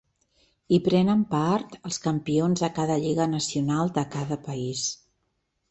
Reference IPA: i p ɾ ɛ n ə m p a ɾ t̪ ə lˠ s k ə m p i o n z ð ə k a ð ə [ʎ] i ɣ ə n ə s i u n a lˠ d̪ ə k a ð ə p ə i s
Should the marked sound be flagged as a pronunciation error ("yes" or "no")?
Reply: no